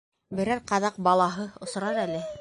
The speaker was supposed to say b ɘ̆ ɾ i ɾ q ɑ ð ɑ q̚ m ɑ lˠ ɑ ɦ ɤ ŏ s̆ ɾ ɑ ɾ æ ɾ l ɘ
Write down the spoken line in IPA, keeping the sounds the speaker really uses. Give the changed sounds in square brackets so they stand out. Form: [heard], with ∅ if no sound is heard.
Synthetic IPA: b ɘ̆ ɾ [æ] ɾ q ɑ ð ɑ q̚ [b] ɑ lˠ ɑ ɦ ɤ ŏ s̆ ɾ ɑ ɾ æ [∅] l ɘ